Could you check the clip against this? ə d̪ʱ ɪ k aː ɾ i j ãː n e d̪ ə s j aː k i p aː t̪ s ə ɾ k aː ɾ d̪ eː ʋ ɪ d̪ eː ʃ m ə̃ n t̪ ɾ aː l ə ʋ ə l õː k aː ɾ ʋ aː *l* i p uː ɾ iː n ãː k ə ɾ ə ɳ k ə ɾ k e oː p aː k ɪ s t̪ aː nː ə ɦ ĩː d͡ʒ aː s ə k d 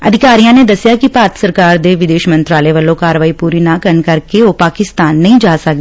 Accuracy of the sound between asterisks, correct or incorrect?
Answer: incorrect